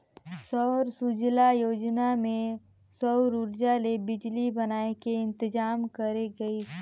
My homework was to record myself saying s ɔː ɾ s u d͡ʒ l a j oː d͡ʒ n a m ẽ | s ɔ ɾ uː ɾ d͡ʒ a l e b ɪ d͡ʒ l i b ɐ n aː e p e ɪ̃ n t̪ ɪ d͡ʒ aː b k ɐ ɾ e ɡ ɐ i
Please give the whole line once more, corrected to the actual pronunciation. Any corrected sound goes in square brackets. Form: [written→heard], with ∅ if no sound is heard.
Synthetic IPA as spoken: s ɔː ɾ s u d͡ʒ l a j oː d͡ʒ n a m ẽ | s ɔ ɾ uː ɾ d͡ʒ a l e b ɪ d͡ʒ l i b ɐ n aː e [p→k] e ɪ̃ n t̪ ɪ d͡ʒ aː [b→m] k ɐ ɾ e ɡ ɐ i